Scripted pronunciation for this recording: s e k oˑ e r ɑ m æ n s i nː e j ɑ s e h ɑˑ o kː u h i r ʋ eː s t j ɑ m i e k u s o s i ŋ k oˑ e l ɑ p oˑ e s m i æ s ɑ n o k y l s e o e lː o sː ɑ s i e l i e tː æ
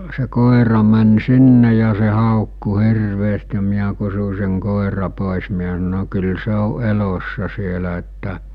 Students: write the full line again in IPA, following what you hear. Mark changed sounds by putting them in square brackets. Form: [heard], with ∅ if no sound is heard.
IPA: s e k oˑ e r ɑ m æ n s i nː e j ɑ s e h ɑˑ o kː u h i r ʋ eː s t j ɑ m i [æ] k u s [u] s [e] ŋ k oˑ e [r] ɑ p oˑ e s m i æ s ɑ n o k y l s e o e [l] o sː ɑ s i e l [æ] e tː æ